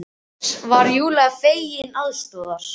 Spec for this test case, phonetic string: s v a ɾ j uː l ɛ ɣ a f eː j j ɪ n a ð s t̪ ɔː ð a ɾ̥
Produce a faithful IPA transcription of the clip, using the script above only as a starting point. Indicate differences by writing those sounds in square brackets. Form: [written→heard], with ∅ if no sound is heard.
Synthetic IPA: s v a ɾ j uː l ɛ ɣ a f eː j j ɪ n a ð s t̪ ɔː ð a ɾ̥